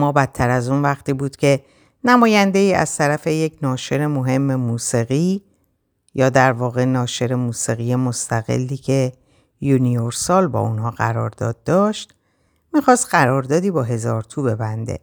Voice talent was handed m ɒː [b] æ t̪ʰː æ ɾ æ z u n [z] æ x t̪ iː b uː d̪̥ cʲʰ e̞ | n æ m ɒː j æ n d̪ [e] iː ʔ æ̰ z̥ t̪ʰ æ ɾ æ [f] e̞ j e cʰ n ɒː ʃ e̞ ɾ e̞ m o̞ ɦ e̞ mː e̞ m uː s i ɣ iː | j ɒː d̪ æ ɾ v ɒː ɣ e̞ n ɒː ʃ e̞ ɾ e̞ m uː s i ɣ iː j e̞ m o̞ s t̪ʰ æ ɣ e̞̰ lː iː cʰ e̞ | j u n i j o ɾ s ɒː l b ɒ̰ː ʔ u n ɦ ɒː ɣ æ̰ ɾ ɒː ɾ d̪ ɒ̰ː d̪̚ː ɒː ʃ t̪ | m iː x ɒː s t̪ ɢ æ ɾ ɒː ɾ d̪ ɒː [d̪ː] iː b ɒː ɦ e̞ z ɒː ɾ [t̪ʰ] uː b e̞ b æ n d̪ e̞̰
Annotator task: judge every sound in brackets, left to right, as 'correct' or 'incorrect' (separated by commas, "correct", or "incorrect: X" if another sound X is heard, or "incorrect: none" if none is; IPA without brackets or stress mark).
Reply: correct, incorrect: v, correct, correct, incorrect: d̪, correct